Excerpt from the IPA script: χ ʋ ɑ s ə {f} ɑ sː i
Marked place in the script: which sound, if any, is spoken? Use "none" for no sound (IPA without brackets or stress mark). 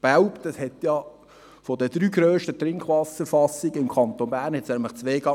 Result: f